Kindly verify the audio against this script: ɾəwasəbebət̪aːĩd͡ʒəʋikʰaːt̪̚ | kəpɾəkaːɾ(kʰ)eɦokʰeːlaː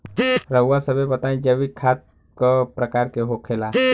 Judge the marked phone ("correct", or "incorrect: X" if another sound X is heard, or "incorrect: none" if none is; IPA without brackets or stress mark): incorrect: k